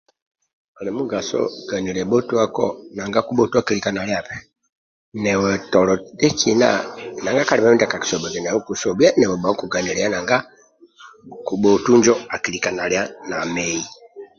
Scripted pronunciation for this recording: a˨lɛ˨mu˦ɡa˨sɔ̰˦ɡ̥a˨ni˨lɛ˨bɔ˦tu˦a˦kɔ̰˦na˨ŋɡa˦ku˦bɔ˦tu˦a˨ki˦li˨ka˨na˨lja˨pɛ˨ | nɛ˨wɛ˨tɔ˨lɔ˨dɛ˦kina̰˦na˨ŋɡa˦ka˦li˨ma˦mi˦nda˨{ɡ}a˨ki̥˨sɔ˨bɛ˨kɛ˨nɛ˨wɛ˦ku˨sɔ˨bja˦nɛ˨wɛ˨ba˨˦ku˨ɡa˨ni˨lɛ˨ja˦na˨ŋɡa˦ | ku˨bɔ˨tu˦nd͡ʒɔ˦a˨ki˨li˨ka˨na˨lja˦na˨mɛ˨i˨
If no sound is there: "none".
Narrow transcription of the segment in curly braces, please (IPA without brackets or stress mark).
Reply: k